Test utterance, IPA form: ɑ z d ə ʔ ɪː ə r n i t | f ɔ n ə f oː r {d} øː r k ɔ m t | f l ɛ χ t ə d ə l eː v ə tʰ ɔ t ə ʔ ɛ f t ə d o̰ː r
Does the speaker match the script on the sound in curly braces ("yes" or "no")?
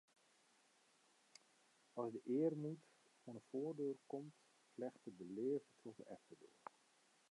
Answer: yes